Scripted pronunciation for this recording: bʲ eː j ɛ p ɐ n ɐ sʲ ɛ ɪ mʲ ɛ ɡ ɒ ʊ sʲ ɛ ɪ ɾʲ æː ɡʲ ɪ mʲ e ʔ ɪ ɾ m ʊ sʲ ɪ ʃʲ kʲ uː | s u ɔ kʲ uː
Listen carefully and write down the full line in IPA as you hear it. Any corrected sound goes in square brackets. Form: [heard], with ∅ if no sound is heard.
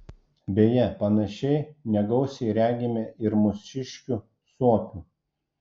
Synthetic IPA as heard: bʲ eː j ɛ p ɐ n ɐ [ʃʲ] ɛ ɪ [nʲ] ɛ ɡ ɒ ʊ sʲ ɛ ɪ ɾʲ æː ɡʲ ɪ mʲ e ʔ ɪ ɾ m ʊ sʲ ɪ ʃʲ kʲ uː | s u ɔ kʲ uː